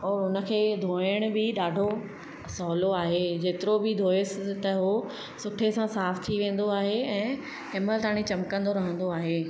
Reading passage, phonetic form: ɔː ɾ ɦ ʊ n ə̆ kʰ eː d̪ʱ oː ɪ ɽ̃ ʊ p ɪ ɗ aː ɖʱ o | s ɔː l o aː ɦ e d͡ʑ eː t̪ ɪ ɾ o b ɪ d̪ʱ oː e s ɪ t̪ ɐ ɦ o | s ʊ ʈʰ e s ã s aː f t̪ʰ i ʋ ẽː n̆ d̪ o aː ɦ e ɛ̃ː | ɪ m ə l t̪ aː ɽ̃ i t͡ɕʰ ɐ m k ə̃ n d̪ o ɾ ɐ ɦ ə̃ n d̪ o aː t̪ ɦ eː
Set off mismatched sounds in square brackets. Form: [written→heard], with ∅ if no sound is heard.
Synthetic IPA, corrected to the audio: ɔː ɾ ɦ ʊ n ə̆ kʰ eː d̪ʱ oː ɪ ɽ̃ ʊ [p→b] ɪ ɗ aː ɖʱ o | s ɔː l o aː ɦ e d͡ʑ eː t̪ ɪ ɾ o b ɪ d̪ʱ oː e s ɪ t̪ ɐ ɦ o | s ʊ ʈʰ e s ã s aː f t̪ʰ i ʋ ẽː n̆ d̪ o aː ɦ e ɛ̃ː | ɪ m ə l t̪ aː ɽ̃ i [t͡ɕʰ→t͡ɕ] ɐ m k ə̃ n d̪ o ɾ ɐ ɦ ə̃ n d̪ o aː [t̪→∅] ɦ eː